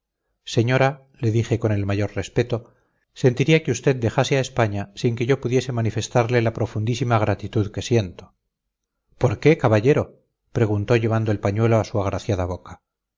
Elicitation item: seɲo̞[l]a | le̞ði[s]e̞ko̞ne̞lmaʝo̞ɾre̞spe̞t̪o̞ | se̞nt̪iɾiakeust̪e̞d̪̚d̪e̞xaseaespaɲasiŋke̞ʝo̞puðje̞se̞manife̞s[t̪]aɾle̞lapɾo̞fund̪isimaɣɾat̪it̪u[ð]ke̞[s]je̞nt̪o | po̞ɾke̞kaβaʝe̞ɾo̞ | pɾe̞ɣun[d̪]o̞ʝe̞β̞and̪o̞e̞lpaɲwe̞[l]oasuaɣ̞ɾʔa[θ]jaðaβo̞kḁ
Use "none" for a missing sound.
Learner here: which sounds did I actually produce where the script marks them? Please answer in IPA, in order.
ɾ, x, t̪, ð, s, t̪, l, θ

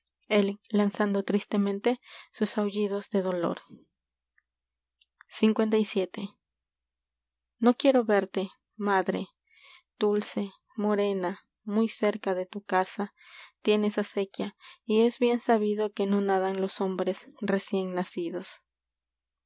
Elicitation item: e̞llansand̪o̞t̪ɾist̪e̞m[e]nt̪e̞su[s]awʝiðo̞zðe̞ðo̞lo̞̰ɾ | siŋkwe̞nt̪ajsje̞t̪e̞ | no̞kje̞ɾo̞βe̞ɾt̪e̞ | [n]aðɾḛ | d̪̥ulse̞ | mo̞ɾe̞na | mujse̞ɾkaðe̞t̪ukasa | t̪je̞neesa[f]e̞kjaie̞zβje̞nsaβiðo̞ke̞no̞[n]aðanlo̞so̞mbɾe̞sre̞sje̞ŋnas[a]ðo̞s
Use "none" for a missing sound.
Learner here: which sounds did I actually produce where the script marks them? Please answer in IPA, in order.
ẽ, s, m, s, n, i

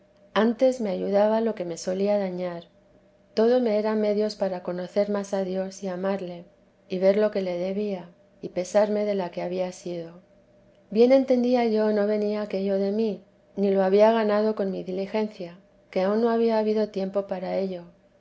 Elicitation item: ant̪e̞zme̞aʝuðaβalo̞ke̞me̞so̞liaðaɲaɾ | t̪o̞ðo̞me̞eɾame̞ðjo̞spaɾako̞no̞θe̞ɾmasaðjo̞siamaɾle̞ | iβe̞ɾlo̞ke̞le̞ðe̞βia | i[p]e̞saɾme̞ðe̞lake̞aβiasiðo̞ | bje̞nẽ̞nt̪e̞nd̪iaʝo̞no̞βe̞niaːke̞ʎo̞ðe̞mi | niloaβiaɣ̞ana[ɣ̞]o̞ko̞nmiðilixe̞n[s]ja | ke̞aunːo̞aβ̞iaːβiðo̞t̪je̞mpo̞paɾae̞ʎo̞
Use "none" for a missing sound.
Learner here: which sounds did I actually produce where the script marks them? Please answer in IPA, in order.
p, ð̞, θ

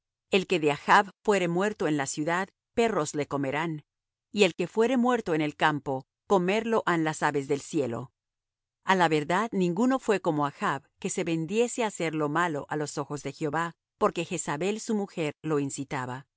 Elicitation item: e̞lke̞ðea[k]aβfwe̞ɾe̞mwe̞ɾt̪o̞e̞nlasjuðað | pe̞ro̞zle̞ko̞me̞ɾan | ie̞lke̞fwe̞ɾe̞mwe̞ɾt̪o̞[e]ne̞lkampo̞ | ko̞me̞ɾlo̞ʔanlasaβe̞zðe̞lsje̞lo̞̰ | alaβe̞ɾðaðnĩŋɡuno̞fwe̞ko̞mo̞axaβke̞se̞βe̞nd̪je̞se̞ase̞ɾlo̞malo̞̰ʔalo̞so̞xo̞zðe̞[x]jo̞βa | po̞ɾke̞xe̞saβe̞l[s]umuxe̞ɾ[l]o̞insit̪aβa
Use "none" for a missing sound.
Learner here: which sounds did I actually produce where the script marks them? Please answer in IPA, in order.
x, e, x, s, l

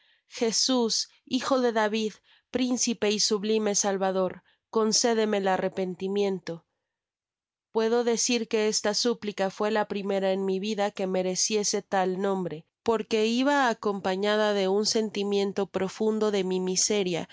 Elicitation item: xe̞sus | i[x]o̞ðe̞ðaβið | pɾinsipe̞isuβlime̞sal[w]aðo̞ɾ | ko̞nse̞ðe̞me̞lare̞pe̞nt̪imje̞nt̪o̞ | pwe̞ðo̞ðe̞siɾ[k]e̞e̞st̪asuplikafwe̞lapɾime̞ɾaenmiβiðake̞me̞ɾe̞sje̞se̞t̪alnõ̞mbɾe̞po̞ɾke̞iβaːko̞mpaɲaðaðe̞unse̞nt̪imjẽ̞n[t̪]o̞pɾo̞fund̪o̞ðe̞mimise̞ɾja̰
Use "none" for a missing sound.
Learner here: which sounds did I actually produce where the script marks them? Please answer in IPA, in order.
x, β, k, t̪

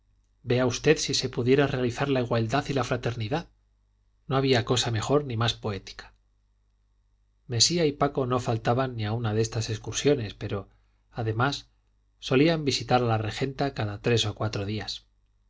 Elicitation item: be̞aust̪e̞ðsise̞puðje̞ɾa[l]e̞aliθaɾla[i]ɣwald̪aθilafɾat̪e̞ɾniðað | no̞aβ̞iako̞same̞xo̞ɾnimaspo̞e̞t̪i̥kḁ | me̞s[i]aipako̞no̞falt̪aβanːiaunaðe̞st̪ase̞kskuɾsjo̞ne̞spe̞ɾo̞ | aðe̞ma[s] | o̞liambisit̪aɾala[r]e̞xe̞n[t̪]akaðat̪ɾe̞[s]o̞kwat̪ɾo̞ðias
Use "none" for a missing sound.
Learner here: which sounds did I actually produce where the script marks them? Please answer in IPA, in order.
r, i, i, sː, r, t̪, s

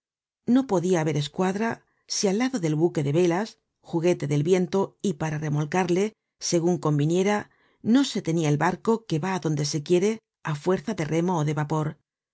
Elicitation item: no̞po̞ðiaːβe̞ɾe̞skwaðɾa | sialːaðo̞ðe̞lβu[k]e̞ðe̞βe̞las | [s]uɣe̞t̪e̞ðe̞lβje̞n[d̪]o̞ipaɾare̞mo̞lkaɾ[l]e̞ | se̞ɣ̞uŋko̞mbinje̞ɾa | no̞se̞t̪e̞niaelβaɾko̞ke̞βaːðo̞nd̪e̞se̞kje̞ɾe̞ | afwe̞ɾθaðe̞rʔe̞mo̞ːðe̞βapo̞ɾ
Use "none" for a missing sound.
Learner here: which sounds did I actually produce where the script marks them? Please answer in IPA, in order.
k, x, t̪, l

